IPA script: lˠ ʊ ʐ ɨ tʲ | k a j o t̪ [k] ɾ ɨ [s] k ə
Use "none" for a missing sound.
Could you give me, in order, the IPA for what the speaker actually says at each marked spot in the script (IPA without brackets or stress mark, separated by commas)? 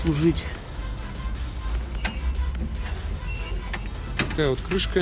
k, ʂ